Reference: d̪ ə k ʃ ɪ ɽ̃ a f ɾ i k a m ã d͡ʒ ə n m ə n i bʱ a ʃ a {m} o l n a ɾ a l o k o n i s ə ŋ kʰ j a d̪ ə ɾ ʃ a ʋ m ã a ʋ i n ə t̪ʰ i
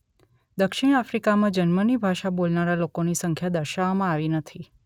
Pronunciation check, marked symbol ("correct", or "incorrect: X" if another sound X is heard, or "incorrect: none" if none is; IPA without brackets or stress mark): incorrect: b